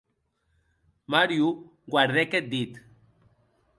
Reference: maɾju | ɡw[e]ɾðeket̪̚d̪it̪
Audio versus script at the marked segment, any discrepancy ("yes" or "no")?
yes